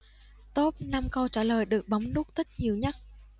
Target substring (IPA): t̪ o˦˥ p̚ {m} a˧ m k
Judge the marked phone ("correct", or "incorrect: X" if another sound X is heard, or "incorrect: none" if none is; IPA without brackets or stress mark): incorrect: n